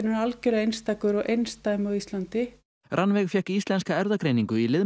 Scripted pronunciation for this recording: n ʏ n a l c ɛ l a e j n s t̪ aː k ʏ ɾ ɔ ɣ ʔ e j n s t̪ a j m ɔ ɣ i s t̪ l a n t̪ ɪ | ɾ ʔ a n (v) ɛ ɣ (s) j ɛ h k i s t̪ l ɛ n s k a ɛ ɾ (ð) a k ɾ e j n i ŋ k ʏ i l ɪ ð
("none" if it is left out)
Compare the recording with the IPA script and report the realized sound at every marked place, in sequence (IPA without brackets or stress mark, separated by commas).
v, f, ð